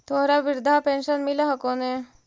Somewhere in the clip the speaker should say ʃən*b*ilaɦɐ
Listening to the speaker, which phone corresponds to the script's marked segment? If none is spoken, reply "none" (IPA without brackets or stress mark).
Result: m